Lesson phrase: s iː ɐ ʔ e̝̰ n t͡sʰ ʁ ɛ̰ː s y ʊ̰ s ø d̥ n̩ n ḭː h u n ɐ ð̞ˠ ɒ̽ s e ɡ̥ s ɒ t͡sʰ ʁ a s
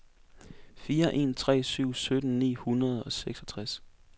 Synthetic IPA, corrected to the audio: f iː ɐ ʔ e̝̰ n t͡sʰ ʁ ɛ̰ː s y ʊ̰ s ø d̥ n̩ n ḭː h u n ɐ ð̞ˠ ɒ̽ s e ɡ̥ s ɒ t͡sʰ ʁ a s